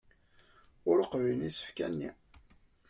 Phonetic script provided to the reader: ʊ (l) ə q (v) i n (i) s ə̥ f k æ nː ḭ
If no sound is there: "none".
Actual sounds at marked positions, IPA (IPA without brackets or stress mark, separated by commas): ɾ, v, i